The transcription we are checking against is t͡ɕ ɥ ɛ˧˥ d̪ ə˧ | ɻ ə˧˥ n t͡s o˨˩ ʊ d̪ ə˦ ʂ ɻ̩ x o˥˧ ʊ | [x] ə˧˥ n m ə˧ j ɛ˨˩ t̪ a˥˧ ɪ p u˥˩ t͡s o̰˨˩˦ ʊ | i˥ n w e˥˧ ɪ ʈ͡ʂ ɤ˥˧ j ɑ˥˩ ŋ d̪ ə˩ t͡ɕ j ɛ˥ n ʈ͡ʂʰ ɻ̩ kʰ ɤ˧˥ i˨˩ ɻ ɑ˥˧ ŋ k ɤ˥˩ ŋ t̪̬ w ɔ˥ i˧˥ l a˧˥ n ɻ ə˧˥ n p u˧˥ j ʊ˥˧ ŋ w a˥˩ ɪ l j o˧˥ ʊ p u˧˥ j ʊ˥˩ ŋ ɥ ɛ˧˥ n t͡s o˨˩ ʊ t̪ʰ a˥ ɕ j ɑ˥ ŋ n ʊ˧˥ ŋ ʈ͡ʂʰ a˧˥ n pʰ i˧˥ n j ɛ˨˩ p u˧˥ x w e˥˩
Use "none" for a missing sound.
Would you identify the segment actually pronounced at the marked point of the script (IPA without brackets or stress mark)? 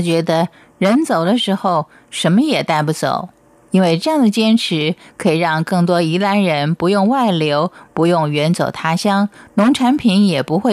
ʂ